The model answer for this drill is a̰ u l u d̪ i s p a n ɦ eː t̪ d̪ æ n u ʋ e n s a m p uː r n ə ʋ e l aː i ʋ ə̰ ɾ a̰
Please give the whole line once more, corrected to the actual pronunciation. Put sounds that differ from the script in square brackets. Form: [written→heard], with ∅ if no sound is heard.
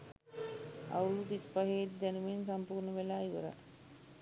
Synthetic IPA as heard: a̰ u l u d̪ i s p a [n→∅] ɦ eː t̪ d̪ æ n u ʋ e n s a m p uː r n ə ʋ e l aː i ʋ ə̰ ɾ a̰

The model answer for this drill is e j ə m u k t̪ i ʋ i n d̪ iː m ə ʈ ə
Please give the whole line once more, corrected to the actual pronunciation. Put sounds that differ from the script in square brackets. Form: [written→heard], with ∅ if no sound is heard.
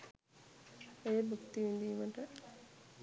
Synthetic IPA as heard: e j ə [m→b] u k t̪ i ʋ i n d̪ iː m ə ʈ ə

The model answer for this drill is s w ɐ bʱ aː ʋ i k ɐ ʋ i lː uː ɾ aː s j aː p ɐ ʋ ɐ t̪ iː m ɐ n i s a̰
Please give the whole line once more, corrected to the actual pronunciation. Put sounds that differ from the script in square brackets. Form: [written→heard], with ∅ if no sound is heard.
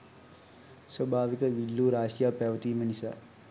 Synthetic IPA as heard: s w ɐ bʱ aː ʋ i k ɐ ʋ i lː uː ɾ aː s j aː p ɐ ʋ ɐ t̪ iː m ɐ n i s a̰

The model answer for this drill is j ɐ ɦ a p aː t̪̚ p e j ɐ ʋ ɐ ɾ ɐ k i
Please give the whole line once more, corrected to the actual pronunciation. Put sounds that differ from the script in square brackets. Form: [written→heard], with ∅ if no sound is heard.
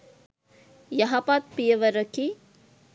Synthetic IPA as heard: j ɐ ɦ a p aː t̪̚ p [e→i] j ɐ ʋ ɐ ɾ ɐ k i

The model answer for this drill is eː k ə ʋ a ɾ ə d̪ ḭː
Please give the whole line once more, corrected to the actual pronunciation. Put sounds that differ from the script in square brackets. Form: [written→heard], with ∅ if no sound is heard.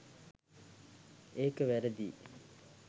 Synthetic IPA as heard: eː k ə ʋ [a→æ] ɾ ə d̪ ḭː

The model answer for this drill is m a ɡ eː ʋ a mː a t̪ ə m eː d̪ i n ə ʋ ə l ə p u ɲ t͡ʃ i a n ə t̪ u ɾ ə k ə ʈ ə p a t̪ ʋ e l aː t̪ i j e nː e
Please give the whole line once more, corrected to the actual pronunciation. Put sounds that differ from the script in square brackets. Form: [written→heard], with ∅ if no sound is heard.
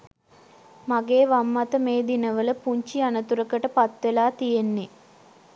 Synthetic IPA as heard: m a ɡ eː ʋ a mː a t̪ ə m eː d̪ i n ə ʋ ə l ə p u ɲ t͡ʃ i a n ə t̪ u ɾ ə k ə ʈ ə p a t̪ ʋ e l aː t̪ i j e nː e

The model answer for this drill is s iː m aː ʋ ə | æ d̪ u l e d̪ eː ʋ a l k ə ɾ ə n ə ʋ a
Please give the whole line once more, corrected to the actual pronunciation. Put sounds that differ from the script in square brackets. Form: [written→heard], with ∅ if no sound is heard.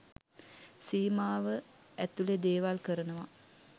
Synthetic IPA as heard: s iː m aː ʋ ə | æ [d̪→t̪] u l e d̪ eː ʋ a l k ə ɾ ə n ə ʋ a

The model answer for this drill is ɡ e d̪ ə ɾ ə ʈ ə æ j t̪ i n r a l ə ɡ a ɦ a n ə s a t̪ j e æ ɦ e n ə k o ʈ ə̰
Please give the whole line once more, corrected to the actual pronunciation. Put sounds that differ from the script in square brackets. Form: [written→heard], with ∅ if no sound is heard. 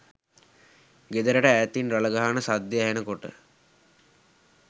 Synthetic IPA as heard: ɡ e d̪ ə ɾ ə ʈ ə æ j t̪ i n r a l ə ɡ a ɦ a n ə s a [t̪→d̪] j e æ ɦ e n ə k o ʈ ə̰

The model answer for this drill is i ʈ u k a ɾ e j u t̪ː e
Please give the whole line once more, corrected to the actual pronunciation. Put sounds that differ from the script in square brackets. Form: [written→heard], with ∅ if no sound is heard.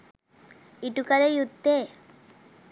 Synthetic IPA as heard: i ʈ u k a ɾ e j u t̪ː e

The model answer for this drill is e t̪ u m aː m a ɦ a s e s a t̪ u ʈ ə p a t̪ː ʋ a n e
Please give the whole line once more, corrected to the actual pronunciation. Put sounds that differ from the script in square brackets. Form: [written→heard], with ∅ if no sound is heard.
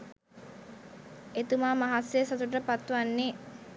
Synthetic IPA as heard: e t̪ u m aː m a ɦ a s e s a t̪ u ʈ ə p a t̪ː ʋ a [n→nː] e

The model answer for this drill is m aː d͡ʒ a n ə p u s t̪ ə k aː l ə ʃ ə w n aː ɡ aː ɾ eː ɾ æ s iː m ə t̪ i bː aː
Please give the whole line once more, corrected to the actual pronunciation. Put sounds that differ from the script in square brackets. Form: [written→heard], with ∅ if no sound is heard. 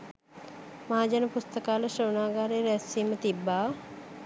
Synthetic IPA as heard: m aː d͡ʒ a n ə p u s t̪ ə k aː l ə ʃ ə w n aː ɡ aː ɾ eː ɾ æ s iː m ə t̪ i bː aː

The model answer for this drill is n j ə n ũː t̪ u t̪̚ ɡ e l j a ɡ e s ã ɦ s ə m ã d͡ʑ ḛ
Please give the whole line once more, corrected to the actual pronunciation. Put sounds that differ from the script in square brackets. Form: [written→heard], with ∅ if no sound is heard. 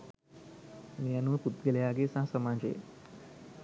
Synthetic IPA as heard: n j [ə→a] n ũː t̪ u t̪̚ ɡ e l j a ɡ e s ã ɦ s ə m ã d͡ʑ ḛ

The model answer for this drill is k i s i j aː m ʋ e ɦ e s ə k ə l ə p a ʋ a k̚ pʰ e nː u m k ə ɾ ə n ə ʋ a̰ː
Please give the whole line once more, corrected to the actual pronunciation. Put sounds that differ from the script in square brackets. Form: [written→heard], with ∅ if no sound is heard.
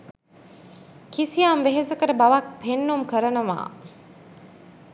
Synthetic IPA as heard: k i s i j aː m ʋ e ɦ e s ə k ə [l→ɾ] ə [p→b] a ʋ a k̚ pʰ e nː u m k ə ɾ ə n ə ʋ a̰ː

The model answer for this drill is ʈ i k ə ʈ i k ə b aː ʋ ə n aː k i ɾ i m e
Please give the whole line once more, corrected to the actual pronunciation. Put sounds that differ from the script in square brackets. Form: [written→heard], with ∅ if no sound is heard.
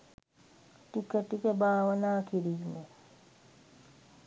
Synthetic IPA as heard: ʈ i k ə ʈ i k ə b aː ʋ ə n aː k i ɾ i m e

